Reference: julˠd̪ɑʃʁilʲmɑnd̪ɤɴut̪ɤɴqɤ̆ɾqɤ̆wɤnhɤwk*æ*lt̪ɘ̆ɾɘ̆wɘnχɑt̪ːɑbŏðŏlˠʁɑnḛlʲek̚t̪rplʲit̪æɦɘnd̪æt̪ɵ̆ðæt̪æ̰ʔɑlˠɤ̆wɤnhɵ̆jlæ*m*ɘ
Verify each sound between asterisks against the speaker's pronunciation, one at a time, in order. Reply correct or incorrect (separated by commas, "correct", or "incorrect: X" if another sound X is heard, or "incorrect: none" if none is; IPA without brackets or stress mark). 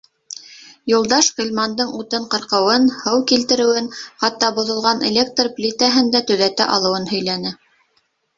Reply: incorrect: i, incorrect: n